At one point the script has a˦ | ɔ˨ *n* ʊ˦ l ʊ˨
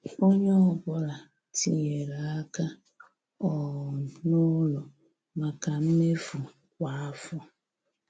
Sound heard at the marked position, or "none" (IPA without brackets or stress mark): n